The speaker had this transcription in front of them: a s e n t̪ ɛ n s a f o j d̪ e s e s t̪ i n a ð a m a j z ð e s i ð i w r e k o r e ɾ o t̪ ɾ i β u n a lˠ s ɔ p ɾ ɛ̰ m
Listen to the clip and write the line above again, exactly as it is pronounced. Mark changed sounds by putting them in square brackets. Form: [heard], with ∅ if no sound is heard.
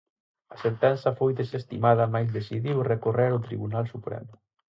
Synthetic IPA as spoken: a s e n t̪ ɛ n s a f o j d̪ e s e s t̪ i [m] a ð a m a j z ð e s i ð i w r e k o r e ɾ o t̪ ɾ i β u n a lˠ s [u] p ɾ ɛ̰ m